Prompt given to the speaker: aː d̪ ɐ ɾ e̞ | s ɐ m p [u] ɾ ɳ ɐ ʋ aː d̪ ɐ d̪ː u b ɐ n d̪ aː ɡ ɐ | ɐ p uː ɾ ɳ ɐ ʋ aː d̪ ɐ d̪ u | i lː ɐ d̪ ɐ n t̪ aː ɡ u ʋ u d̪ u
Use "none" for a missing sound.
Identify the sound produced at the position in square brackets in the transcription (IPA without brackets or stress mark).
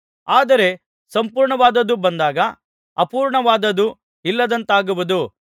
uː